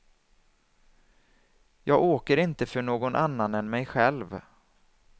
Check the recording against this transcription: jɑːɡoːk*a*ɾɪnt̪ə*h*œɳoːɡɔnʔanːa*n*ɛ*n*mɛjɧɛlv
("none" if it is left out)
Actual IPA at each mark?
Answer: ə, f, n, n

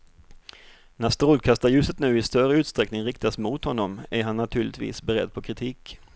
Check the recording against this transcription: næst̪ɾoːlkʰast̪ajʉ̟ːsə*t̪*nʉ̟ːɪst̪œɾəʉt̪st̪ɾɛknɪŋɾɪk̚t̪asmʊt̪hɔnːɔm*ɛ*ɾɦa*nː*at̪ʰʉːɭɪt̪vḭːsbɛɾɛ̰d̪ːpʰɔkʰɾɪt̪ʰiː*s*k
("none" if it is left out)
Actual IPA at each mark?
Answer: t̪, æ, nː, none

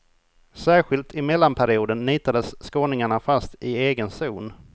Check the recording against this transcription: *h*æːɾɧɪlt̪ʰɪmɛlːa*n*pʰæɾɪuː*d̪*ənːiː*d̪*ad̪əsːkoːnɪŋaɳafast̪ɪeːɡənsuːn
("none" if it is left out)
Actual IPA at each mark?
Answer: s, n, d̪, t̪

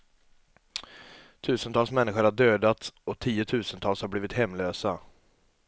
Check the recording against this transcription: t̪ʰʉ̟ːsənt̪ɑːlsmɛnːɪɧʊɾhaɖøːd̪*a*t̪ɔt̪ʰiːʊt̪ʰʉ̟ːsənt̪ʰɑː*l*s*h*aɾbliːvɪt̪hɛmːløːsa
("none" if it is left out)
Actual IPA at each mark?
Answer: a, l, h

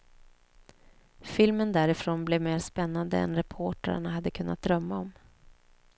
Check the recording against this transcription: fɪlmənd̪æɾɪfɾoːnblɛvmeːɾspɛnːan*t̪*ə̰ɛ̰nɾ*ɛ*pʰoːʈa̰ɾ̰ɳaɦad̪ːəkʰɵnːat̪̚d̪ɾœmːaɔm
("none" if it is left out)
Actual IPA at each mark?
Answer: d̪, ɛ

